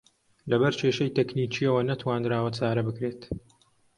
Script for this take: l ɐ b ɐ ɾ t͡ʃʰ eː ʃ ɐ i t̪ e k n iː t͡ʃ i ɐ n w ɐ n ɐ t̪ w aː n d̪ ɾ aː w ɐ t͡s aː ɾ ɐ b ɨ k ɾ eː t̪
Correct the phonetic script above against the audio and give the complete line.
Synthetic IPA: l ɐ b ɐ ɾ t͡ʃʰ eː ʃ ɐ j t̪ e k n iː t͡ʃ i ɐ w ɐ n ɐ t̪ w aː n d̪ ɾ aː w ɐ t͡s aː ɾ ɐ b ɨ k ɾ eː t̪